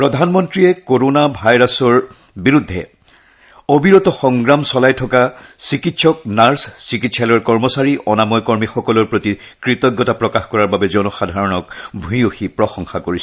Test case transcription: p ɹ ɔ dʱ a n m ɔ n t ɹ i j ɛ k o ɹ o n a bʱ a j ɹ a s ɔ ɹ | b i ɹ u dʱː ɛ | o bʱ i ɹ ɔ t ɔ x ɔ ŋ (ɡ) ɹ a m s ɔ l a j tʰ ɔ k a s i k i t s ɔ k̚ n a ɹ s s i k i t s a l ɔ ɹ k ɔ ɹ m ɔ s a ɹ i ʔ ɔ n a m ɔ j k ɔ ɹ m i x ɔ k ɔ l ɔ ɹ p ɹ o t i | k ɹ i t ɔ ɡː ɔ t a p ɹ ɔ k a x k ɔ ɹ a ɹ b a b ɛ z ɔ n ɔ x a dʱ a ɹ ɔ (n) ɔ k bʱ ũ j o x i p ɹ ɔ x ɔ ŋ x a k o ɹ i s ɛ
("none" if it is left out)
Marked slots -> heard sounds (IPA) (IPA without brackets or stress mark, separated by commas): ɡ, n